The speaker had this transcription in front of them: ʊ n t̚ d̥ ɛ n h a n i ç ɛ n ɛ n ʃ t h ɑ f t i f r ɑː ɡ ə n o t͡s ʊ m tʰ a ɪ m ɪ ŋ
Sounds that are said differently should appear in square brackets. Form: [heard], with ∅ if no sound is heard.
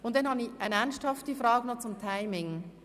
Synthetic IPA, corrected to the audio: ʊ n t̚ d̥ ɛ n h [ɑ] n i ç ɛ n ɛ n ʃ t h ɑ f t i f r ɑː ɡ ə n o t͡s ʊ m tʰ a ɪ m ɪ ŋ